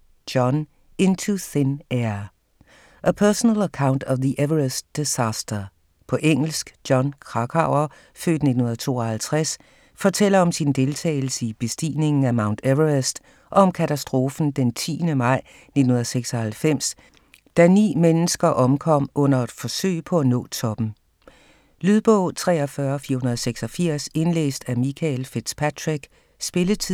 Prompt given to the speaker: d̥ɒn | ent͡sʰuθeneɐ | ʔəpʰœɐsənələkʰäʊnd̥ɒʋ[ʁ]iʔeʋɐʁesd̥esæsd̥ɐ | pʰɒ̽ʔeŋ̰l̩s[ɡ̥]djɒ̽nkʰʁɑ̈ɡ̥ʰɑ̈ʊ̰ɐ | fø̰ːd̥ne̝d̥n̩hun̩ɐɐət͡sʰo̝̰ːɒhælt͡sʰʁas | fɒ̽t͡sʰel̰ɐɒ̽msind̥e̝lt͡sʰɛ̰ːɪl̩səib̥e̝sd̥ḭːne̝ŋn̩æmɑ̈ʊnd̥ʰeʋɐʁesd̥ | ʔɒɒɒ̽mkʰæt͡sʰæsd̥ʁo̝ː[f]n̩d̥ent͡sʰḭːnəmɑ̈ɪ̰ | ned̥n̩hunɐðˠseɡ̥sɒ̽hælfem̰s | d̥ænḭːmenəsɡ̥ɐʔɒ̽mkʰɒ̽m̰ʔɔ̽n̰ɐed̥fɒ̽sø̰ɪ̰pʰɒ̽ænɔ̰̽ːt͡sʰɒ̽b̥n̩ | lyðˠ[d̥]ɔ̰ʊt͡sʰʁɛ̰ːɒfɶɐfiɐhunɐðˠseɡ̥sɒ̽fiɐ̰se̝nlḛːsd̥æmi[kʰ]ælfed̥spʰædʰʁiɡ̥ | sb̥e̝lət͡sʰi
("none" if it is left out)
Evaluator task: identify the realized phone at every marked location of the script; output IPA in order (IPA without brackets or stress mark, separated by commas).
ð, ɡ̥, f, b̥, kʰ